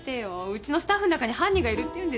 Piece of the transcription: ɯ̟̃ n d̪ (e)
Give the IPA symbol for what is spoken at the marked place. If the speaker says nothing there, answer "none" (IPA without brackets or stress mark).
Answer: e